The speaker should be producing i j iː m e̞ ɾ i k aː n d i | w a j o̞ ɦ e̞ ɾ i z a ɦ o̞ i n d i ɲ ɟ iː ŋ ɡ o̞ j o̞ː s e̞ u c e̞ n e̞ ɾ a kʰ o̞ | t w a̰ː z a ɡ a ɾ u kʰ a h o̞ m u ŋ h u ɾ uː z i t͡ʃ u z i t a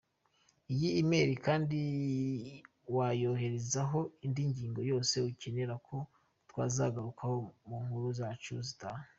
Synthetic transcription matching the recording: i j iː m e̞ ɾ i k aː n d i | w a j o̞ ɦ e̞ ɾ e z a ɦ o̞ i n d i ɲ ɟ iː ŋ ɡ o̞ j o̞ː s e̞ u c e̞ n e̞ ɾ a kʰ o̞ | t w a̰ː z a ɡ a ɾ u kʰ a h o̞ m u ŋ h u ɾ u z a t͡ʃ u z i t a